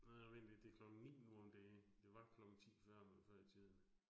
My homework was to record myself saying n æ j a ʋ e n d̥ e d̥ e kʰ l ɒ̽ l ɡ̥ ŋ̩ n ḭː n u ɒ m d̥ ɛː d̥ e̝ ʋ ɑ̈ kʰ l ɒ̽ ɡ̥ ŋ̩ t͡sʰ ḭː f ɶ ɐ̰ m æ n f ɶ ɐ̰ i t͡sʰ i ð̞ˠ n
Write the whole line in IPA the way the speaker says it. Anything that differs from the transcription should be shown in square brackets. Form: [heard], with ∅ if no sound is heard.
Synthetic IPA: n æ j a ʋ e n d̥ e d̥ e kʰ l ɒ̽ [∅] ɡ̥ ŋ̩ n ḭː n u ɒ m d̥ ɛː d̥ e̝ ʋ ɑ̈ kʰ l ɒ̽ ɡ̥ ŋ̩ t͡sʰ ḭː f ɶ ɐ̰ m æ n f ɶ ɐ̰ i t͡sʰ i ð̞ˠ n